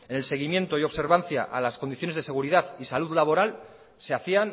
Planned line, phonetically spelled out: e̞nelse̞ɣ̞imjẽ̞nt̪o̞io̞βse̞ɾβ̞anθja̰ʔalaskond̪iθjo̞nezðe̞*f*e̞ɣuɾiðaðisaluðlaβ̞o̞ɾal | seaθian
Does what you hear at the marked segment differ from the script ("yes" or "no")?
yes